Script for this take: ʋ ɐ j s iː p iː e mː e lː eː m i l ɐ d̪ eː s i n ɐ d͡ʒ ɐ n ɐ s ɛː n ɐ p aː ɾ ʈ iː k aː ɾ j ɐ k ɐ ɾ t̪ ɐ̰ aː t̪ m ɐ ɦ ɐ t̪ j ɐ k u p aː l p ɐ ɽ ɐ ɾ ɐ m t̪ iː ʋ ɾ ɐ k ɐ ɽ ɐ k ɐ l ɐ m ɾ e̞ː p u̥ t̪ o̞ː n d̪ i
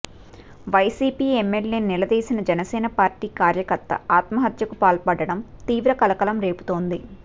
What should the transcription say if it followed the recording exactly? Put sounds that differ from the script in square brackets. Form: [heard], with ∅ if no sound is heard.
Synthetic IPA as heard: ʋ ɐ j s iː p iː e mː e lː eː [n] i l ɐ d̪ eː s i n ɐ d͡ʒ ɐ n ɐ s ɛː n ɐ p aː ɾ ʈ iː k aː ɾ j ɐ k ɐ ɾ t̪ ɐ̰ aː t̪ m ɐ ɦ ɐ t̪ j ɐ k u p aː l p ɐ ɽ ɐ [ɽ] ɐ m t̪ iː ʋ ɾ ɐ k ɐ [l] ɐ k ɐ l ɐ m ɾ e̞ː p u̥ t̪ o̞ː n d̪ i